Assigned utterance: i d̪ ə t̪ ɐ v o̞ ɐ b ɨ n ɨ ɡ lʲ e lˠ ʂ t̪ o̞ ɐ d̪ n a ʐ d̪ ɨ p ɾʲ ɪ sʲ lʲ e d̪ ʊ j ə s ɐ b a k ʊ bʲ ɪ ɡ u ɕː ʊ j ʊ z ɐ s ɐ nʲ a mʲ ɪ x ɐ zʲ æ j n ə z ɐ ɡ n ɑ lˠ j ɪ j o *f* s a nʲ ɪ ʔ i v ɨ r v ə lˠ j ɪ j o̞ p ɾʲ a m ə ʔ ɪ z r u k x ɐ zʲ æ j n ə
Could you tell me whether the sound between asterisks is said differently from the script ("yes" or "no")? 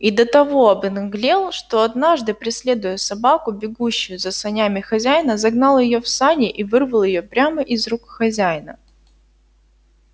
no